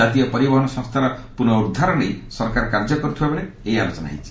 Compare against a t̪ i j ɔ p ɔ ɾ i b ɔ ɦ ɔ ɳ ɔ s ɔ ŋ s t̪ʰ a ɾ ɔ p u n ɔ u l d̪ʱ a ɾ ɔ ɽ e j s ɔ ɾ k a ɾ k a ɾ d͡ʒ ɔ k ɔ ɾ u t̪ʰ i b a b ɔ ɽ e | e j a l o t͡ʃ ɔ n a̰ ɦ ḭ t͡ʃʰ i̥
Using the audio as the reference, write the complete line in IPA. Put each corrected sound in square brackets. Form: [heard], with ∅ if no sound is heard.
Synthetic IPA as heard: a t̪ i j ɔ p ɔ ɾ i b ɔ ɦ ɔ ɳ ɔ s ɔ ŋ s t̪ʰ a ɾ ɔ p u n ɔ u [ɾ] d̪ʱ a ɾ ɔ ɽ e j s ɔ ɾ k a ɾ k a ɾ d͡ʒ ɔ k ɔ ɾ u t̪ʰ i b a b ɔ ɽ e | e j a l o t͡ʃ ɔ n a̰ ɦ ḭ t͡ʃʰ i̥